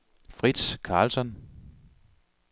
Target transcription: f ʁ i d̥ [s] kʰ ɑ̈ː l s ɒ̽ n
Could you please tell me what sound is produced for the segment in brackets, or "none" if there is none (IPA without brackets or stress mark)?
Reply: s